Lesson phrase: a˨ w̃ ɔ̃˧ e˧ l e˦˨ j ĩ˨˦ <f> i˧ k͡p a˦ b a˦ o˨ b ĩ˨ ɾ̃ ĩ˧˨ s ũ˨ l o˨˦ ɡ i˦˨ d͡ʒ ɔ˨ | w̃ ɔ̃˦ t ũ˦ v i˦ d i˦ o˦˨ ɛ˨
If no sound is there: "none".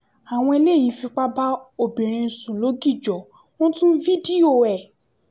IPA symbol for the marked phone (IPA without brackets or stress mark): f